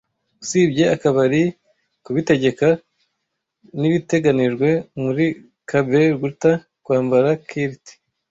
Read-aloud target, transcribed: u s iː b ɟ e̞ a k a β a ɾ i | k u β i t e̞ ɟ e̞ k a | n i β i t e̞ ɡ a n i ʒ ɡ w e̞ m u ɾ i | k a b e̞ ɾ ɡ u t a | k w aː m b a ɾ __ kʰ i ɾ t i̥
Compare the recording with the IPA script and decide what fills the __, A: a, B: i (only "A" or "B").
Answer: A